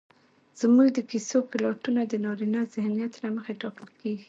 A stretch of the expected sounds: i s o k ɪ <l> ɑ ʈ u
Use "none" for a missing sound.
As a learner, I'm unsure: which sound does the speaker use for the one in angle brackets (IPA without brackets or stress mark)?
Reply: l